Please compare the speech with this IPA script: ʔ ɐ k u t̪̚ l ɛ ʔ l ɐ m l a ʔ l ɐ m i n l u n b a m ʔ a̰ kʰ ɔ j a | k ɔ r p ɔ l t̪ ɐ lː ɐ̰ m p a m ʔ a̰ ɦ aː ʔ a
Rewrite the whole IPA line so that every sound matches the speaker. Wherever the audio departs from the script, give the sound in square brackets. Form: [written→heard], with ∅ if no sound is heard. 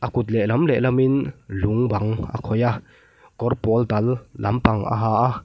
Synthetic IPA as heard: ʔ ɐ k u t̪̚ l ɛ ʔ l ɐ m l [a→ɛ] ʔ l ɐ m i n l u [n→ŋ] b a [m→ŋ] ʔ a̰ kʰ ɔ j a | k ɔ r p ɔ l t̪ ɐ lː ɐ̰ m p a [m→ŋ] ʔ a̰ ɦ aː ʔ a